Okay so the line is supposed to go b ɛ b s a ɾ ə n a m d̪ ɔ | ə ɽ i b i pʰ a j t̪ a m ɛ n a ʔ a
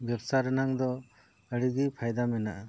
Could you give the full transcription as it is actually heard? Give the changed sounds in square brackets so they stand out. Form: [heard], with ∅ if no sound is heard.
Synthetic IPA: b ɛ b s a ɾ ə n a [ŋ] d̪ ɔ | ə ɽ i [ɡ] i pʰ a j [d̪] a m ɛ n a ʔ a